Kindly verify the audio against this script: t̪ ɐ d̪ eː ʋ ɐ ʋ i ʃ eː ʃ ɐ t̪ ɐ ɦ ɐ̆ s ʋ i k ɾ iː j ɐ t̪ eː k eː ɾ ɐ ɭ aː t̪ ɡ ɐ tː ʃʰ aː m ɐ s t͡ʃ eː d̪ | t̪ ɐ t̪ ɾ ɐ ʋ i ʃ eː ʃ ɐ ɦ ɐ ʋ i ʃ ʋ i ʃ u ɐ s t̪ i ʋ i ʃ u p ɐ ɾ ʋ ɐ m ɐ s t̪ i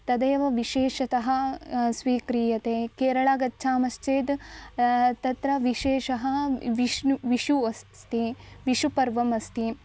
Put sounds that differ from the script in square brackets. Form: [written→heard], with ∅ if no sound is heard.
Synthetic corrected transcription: t̪ ɐ d̪ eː ʋ ɐ ʋ i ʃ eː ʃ ɐ t̪ ɐ ɦ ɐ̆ s ʋ [i→iː] k ɾ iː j ɐ t̪ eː k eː ɾ ɐ ɭ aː [t̪→∅] ɡ ɐ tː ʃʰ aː m ɐ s t͡ʃ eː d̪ | t̪ ɐ t̪ ɾ ɐ ʋ i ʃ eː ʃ ɐ ɦ ɐ ʋ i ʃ ʋ i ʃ u ɐ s t̪ i ʋ i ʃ u p ɐ ɾ ʋ ɐ m ɐ s t̪ i